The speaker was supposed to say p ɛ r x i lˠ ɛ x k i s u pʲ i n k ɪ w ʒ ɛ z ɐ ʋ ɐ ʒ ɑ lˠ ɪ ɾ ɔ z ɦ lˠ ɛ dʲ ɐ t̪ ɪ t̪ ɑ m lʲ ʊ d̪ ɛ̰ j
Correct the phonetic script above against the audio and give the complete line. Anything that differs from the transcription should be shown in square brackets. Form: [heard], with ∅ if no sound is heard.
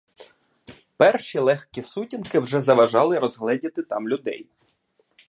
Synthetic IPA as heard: p ɛ r [ʃ] i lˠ ɛ x k i s u [tʲ] i n k ɪ w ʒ ɛ z ɐ ʋ ɐ ʒ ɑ lˠ ɪ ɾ ɔ z ɦ lˠ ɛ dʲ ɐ t̪ ɪ t̪ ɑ m lʲ ʊ d̪ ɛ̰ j